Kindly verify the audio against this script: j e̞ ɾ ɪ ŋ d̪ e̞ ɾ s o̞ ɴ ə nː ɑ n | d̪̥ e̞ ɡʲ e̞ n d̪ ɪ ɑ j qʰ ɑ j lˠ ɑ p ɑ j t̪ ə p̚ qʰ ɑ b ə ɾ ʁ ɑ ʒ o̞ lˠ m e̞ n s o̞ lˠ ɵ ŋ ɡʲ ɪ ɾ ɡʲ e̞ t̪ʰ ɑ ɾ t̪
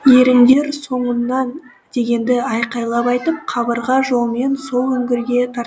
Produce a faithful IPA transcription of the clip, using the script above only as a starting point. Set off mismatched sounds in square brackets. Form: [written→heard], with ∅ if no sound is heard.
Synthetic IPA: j e̞ ɾ ɪ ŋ d̪ e̞ ɾ s o̞ ɴ ə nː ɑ n | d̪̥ e̞ ɡʲ e̞ n d̪ ɪ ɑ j [qʰ→q] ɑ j lˠ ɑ p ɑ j t̪ ə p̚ qʰ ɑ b ə ɾ ʁ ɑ ʒ o̞ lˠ m e̞ n s o̞ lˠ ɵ ŋ ɡʲ ɪ ɾ ɡʲ e̞ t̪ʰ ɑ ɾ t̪